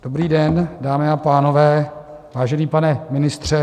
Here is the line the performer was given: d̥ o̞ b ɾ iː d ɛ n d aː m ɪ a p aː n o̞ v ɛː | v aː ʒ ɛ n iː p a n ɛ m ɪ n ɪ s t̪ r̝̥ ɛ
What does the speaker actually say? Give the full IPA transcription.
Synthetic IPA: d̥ o̞ b ɾ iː d ɛ n d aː m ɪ a p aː n o̞ v ɛː | v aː ʒ ɛ n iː p a n ɛ m ɪ n ɪ s t̪ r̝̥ ɛ